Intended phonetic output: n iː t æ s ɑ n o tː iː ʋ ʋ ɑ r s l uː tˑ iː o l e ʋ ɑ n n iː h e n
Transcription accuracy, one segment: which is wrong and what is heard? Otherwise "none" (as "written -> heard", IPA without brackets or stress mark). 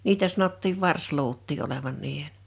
none